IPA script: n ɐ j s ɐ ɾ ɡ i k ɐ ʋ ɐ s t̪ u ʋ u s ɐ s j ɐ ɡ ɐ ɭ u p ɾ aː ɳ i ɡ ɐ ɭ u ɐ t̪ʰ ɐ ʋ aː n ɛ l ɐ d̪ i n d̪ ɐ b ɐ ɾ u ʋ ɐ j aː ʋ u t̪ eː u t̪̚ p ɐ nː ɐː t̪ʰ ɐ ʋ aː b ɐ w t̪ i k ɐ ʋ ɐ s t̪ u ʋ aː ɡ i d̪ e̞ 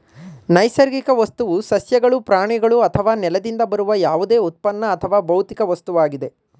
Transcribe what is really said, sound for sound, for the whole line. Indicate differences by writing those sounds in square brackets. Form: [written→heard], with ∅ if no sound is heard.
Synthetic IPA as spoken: n ɐ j s ɐ ɾ ɡ i k ɐ ʋ ɐ s t̪ u ʋ u s ɐ s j ɐ ɡ ɐ ɭ u p ɾ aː ɳ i ɡ ɐ ɭ u ɐ t̪ʰ ɐ ʋ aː n ɛ l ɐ d̪ i n d̪ ɐ b ɐ ɾ u ʋ ɐ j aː ʋ u [t̪→d̪] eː u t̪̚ p ɐ nː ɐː t̪ʰ ɐ ʋ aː b ɐ w t̪ i k ɐ ʋ ɐ s t̪ u ʋ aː ɡ i d̪ e̞